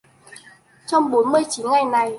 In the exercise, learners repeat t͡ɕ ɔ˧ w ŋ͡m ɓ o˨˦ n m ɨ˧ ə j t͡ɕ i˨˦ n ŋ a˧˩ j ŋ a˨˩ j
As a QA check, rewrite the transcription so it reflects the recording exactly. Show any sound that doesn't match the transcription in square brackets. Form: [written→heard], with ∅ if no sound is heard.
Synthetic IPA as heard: t͡ɕ ɔ˧ w ŋ͡m ɓ o˨˦ n m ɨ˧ ə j t͡ɕ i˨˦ n ŋ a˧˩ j [ŋ→n] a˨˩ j